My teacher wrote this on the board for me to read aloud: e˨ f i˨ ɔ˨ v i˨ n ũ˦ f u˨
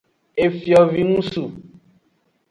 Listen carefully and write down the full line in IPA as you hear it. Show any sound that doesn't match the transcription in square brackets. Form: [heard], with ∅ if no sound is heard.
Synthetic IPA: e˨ f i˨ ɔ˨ v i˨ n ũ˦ [s] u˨